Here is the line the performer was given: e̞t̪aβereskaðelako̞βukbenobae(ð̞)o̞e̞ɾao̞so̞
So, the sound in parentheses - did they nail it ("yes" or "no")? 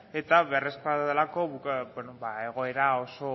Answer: no